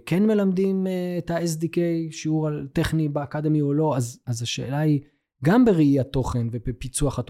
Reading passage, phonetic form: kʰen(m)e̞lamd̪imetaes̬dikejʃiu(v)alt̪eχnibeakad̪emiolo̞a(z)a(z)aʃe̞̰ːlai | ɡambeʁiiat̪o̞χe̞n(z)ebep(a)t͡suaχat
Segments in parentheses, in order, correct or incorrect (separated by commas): correct, incorrect, correct, correct, incorrect, incorrect